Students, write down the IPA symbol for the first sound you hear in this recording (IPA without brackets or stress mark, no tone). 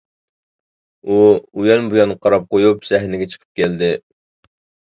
u